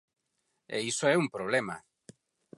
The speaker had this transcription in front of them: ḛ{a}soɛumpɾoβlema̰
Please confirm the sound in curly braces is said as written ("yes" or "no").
no